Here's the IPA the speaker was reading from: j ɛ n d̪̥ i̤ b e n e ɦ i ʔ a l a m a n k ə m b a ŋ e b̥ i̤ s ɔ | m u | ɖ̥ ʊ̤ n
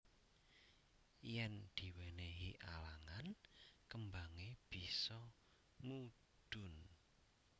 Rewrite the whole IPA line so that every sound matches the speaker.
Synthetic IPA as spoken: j ɛ n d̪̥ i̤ w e n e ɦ i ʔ a l a ŋ a n k ə m b a ŋ e b̥ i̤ s ɔ | m u | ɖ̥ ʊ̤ n